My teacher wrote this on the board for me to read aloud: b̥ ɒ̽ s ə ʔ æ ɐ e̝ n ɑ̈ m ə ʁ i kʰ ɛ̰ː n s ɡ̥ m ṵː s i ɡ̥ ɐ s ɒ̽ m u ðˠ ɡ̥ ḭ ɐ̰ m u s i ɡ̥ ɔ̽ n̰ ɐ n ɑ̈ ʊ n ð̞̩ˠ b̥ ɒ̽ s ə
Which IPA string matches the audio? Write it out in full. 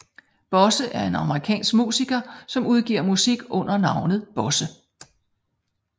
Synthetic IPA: b̥ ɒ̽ s ə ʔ æ ɐ e̝ n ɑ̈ m ə ʁ i kʰ ɛ̰ː n s ɡ̥ m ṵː s i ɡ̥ ɐ s ɒ̽ m u ðˠ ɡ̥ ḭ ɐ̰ m u s i ɡ̥ ɔ̽ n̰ ɐ n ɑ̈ ʊ n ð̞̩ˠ b̥ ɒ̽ s ə